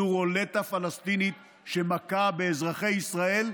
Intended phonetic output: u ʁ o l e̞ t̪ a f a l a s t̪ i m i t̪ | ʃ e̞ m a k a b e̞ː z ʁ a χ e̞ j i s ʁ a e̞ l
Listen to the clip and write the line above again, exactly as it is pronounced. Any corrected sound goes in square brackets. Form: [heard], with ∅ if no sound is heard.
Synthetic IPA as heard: u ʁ o l e̞ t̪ a f a l a s t̪ i [n] i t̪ | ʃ e̞ m a k a b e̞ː z ʁ a χ e̞ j i s ʁ a e̞ l